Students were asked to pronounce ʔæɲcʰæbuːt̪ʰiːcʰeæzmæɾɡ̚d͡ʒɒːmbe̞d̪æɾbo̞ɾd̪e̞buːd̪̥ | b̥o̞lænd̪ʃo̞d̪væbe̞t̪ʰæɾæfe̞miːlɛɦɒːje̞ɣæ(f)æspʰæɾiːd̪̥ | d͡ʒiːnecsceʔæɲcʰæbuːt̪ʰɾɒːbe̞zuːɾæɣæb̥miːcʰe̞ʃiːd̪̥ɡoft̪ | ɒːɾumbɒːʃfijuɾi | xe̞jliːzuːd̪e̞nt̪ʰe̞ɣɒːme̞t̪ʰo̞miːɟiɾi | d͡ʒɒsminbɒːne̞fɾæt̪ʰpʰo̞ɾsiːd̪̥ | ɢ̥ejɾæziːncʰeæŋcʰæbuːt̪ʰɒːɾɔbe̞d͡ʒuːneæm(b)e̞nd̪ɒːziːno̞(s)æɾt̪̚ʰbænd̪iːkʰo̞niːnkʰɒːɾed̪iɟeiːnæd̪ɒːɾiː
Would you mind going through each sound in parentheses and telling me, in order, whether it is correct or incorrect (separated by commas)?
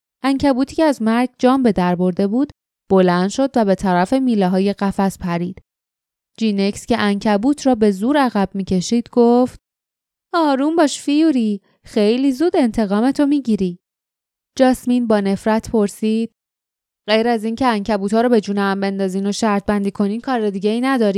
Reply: correct, correct, incorrect